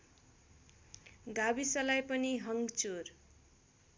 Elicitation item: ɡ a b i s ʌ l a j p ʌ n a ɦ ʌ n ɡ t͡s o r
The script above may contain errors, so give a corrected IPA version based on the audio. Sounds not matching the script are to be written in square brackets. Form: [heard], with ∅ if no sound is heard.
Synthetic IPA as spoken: ɡ a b i s ʌ l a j p ʌ n [i] ɦ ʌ [ŋ] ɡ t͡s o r